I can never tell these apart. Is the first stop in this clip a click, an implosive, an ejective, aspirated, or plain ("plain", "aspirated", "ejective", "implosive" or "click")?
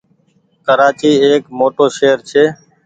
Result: plain